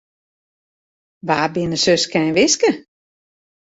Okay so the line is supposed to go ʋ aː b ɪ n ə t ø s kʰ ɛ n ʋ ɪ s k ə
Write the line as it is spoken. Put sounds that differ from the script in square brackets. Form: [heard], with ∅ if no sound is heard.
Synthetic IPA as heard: ʋ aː b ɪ n ə [s] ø s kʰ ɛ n ʋ ɪ s k ə